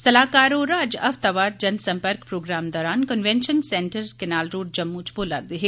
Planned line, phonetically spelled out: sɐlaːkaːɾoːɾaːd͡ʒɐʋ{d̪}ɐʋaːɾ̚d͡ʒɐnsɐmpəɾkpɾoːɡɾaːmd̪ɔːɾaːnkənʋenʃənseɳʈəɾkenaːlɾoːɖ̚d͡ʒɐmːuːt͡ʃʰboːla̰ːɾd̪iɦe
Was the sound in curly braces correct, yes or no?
no